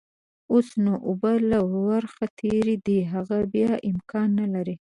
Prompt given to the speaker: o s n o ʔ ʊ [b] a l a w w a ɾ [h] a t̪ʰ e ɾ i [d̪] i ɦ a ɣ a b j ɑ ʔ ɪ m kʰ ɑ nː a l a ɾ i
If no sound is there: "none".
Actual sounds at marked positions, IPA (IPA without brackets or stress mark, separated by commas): b, x, d̪